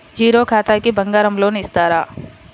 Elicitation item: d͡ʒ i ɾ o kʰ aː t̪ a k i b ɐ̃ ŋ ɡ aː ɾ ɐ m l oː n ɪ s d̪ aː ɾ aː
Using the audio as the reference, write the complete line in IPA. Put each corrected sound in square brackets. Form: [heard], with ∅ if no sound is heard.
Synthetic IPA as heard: d͡ʒ [iː] ɾ o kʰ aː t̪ a k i b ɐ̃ ŋ ɡ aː ɾ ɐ m l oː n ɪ s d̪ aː ɾ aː